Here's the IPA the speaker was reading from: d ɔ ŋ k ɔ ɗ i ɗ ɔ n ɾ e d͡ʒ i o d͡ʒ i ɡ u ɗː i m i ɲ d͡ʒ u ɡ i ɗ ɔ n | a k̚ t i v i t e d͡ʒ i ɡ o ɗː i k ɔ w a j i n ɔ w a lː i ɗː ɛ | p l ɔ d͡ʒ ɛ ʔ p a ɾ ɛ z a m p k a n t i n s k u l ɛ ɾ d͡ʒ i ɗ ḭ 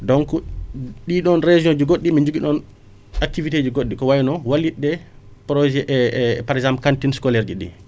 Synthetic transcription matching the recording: d ɔ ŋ k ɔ ɗ i ɗ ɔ n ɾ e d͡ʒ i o d͡ʒ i ɡ o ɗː i m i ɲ d͡ʒ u ɡ i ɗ ɔ n | a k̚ t i v i t e d͡ʒ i ɡ o ɗː i k ɔ w a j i n ɔ w a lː i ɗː ɛ | p ɾ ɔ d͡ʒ ɛ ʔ p a ɾ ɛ z a m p k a n t i n s k ɔ l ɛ ɾ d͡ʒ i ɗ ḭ